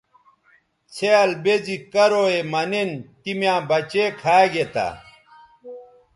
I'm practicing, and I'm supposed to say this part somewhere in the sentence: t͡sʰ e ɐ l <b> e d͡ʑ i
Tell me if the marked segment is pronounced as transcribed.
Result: yes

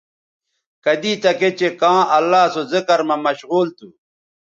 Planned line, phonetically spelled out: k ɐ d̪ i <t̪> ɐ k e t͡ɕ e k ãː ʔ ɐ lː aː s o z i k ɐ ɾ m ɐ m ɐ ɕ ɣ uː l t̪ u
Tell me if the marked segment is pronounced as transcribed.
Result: yes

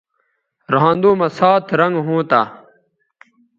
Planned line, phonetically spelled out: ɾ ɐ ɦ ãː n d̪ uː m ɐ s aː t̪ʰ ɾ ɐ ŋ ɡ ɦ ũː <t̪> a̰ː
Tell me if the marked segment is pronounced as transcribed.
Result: yes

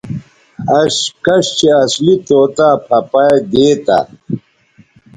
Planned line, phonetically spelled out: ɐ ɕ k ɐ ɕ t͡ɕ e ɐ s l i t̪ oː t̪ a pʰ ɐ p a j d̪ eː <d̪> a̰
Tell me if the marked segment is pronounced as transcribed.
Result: no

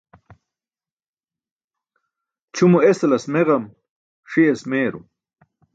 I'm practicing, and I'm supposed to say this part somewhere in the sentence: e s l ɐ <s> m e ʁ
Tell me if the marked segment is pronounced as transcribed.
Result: yes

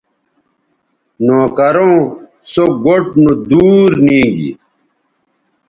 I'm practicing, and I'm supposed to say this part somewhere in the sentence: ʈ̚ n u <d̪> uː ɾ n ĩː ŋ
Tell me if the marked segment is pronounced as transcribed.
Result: yes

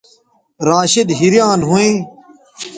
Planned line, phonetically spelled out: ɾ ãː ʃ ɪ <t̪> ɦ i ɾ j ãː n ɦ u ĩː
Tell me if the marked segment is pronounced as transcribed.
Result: no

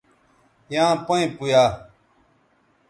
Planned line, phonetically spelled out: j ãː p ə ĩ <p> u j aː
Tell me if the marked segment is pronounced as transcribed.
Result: yes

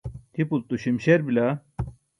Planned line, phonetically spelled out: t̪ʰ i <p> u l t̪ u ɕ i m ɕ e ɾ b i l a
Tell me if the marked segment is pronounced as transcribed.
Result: yes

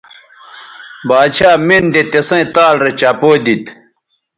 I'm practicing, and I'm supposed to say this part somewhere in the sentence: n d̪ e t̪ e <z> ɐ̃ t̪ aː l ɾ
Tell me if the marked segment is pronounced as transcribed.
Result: no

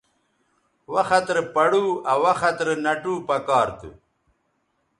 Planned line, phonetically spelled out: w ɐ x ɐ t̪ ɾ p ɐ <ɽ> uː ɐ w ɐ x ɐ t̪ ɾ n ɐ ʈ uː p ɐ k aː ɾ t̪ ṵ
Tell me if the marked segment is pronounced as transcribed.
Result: yes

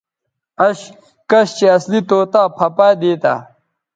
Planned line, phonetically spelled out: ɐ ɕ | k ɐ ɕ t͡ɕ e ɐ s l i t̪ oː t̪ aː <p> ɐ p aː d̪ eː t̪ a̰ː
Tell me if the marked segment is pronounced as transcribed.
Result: no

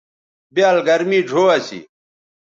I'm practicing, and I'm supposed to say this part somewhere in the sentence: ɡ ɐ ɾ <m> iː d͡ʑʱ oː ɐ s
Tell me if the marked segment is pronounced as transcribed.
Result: yes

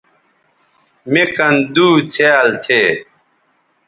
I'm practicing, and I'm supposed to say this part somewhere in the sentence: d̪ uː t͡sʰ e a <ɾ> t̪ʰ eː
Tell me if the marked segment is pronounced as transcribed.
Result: no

